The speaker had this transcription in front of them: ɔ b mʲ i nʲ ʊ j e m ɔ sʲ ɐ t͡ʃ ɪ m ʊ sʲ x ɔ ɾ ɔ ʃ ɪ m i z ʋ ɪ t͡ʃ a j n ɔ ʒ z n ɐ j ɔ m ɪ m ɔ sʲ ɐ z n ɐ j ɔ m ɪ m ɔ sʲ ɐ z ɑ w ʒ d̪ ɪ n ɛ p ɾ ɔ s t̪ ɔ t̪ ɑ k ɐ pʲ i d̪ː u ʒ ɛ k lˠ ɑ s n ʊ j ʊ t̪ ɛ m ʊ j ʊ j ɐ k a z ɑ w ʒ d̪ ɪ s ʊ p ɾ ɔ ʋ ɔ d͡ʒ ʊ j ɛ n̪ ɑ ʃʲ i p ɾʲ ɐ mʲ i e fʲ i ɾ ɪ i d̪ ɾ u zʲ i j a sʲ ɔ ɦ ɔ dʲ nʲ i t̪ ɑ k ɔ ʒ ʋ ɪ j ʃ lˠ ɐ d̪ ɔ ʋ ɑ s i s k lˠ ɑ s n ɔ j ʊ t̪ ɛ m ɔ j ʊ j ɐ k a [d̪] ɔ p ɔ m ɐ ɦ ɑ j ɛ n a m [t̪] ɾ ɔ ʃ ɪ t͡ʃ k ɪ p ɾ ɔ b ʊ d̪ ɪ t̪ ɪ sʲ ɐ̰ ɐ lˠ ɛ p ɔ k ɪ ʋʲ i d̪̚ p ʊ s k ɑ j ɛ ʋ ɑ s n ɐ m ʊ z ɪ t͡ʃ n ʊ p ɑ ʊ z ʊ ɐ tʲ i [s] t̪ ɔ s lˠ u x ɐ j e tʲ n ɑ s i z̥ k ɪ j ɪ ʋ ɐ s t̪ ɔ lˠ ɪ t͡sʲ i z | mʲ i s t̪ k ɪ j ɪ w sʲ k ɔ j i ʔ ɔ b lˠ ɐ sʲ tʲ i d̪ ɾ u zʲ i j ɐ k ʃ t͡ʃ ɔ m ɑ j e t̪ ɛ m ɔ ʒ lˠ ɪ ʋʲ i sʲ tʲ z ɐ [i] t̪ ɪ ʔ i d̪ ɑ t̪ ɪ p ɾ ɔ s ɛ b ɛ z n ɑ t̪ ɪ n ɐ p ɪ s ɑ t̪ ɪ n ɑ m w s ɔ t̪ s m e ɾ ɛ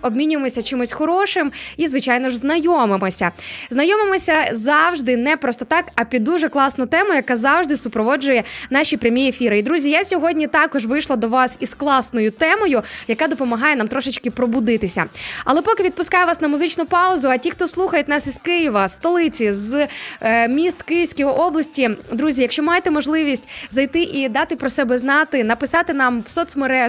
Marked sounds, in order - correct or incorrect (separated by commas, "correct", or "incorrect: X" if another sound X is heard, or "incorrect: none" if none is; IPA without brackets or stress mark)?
correct, correct, incorrect: x, incorrect: j